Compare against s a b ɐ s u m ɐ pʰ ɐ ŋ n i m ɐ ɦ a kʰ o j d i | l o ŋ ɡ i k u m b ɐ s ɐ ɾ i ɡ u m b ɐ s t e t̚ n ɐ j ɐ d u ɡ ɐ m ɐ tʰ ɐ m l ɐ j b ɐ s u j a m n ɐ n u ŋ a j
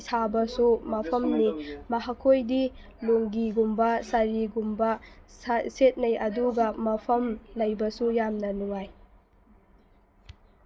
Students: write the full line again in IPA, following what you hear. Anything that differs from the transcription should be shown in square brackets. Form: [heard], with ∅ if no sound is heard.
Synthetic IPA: s a b ɐ s u m ɐ pʰ ɐ [m] n i m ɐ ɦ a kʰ o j d i | l o ŋ ɡ i [ɡ] u m b ɐ s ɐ ɾ i ɡ u m b ɐ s [s] e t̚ n ɐ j ɐ d u ɡ ɐ m ɐ [pʰ] ɐ m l ɐ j b ɐ s u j a m n ɐ n u ŋ a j